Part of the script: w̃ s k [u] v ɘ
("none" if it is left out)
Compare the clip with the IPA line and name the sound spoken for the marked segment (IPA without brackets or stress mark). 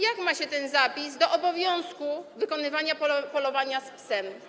u